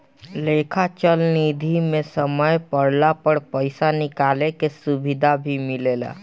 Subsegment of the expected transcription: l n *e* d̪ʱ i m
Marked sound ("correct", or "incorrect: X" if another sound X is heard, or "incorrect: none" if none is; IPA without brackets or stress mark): incorrect: i